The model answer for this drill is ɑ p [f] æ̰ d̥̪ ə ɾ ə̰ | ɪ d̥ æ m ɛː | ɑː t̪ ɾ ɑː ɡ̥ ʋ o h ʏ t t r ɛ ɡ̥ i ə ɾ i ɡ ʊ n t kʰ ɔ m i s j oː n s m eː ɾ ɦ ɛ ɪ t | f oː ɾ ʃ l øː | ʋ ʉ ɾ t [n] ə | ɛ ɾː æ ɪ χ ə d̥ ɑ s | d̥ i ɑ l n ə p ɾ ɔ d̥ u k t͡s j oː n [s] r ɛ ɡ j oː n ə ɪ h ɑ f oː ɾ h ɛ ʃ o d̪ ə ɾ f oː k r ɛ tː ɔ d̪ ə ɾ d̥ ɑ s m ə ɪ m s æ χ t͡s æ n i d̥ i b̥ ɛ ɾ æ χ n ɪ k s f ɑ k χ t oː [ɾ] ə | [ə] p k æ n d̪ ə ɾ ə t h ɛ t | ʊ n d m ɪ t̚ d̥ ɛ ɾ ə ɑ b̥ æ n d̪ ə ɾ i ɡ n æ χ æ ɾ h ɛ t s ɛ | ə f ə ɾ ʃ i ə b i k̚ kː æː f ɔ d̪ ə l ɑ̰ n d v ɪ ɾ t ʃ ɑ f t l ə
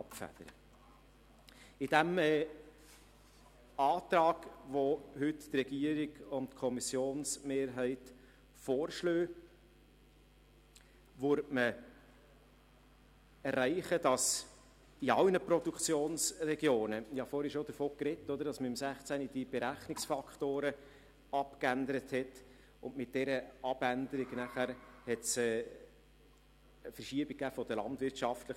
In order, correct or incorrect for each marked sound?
correct, incorrect, correct, correct, incorrect

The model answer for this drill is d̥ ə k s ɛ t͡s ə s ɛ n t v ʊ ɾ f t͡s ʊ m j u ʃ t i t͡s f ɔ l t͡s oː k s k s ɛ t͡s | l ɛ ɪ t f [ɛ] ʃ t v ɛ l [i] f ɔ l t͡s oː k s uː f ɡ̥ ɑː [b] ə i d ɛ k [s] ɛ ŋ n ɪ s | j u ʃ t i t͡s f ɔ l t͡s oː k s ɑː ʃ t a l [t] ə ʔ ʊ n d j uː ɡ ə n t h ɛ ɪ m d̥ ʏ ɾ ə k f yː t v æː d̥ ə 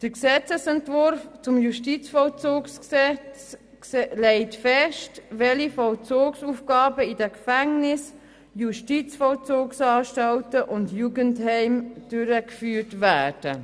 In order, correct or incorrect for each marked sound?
correct, correct, correct, incorrect, correct

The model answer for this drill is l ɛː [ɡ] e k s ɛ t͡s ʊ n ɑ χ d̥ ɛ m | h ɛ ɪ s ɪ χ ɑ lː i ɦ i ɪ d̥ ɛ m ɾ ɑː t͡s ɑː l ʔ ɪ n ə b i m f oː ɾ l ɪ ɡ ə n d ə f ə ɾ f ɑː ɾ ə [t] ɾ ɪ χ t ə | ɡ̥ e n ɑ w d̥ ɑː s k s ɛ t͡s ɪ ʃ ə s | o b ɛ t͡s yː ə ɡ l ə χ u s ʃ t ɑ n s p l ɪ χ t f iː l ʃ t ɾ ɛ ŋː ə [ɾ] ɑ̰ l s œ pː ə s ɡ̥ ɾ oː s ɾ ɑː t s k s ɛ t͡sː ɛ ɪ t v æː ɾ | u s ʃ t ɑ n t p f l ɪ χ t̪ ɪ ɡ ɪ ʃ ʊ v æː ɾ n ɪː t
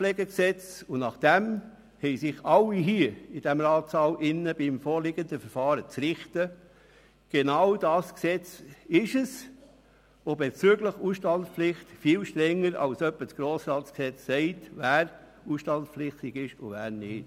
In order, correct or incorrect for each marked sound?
correct, incorrect, correct

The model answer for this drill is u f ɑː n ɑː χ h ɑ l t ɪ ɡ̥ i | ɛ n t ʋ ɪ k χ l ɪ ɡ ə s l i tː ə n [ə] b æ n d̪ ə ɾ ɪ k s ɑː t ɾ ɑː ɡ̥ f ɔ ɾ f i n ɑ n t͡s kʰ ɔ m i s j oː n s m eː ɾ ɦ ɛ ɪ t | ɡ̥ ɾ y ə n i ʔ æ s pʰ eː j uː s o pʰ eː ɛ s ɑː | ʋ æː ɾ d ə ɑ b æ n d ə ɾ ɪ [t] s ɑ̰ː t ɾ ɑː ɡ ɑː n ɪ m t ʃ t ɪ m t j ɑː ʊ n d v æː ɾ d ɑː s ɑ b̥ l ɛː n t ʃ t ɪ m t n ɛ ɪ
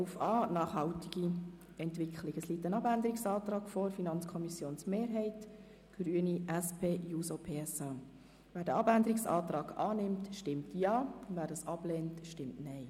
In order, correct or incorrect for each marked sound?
incorrect, incorrect

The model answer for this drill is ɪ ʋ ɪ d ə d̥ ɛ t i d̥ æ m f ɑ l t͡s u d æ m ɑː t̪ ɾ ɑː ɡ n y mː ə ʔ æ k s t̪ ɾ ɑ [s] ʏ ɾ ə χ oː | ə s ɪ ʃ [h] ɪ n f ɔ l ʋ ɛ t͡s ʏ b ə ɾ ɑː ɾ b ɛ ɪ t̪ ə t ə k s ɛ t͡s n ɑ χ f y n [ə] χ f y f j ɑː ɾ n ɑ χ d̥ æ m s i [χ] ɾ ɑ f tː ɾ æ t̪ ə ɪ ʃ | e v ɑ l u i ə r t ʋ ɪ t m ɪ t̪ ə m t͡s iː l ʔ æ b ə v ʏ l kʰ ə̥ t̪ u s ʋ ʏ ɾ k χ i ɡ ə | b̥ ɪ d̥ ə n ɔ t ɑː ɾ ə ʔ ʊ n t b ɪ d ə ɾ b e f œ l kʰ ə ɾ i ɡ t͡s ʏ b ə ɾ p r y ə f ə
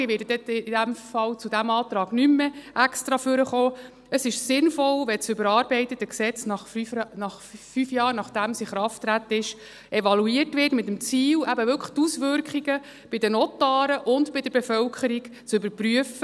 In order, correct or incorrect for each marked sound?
incorrect, incorrect, incorrect, correct

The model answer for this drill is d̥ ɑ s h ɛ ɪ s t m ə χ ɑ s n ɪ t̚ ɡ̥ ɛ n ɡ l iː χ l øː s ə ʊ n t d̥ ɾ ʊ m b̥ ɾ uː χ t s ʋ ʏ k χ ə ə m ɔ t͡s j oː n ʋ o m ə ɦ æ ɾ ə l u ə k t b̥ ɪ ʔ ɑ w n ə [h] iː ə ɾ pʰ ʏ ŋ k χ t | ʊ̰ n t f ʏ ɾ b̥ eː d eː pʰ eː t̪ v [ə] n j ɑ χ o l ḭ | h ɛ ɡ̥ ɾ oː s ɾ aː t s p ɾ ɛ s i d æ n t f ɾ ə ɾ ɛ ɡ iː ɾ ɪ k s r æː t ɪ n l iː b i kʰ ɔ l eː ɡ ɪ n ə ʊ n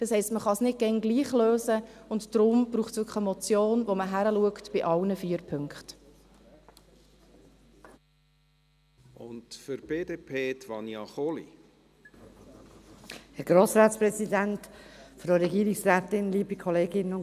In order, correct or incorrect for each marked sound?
incorrect, incorrect

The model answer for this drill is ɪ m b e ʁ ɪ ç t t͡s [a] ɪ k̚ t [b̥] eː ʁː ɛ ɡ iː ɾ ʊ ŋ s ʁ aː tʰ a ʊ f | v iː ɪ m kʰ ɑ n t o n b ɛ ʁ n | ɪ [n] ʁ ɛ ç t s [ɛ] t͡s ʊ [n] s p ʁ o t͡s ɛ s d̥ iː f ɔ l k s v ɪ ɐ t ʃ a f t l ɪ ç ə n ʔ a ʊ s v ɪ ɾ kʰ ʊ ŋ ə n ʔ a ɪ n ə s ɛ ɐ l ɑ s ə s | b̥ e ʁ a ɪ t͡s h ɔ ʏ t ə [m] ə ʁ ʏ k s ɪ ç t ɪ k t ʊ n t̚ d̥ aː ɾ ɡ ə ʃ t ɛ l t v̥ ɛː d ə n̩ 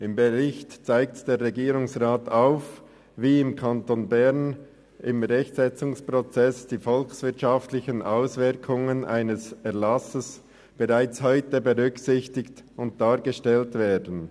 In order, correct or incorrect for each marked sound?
correct, incorrect, incorrect, correct, incorrect, incorrect

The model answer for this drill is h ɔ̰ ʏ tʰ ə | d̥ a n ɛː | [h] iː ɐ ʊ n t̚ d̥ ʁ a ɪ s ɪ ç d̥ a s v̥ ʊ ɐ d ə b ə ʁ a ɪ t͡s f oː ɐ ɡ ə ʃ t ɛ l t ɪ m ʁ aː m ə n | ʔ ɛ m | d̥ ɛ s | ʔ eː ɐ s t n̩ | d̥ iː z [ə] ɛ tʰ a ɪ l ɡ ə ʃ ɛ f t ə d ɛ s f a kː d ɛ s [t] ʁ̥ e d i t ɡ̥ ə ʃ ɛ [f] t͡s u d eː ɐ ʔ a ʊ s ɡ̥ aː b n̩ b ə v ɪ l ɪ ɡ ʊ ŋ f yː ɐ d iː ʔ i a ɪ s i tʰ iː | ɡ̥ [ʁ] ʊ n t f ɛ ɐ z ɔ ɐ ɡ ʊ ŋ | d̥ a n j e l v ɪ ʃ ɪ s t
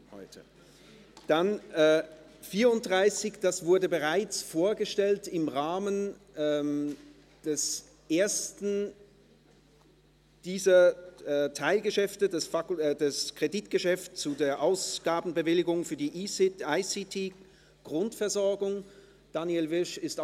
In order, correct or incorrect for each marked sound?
incorrect, incorrect, incorrect, correct, correct

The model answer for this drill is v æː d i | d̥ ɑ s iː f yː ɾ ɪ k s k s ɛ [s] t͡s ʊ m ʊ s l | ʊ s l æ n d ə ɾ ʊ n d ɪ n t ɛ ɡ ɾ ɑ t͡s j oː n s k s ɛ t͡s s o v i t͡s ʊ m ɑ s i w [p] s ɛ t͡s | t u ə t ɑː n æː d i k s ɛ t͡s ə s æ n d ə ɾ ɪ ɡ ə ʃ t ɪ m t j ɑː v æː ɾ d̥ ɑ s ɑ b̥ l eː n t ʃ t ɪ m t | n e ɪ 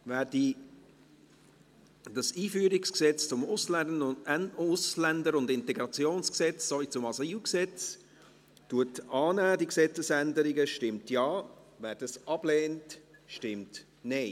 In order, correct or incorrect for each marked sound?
incorrect, incorrect

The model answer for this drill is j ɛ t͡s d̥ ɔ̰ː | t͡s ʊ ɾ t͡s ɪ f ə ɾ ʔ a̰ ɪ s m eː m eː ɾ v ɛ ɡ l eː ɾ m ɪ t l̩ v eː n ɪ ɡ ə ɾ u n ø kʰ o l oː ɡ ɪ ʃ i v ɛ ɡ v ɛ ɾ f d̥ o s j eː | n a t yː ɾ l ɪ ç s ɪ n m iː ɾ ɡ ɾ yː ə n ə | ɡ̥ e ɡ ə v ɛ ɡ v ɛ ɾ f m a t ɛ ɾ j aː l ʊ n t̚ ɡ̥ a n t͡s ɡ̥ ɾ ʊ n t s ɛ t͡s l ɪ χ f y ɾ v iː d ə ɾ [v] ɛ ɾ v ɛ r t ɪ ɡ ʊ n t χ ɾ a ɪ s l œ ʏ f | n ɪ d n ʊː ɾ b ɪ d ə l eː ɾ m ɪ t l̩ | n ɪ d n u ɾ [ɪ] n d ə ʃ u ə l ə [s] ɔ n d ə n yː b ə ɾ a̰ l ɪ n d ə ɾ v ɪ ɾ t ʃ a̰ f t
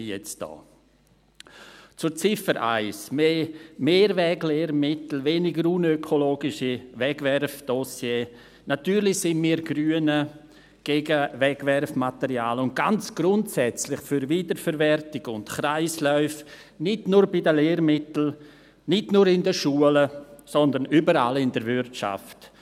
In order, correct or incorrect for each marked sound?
incorrect, correct, correct

